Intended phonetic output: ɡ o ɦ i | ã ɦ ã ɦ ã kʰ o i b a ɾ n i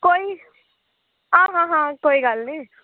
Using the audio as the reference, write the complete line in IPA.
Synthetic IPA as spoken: k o i | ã ɦ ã ɦ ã k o i ɡ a l n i